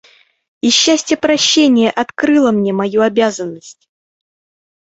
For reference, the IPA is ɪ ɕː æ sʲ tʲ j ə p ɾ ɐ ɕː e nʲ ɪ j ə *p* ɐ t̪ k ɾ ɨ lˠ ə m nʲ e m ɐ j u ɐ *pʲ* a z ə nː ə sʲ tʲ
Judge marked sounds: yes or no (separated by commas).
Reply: no, no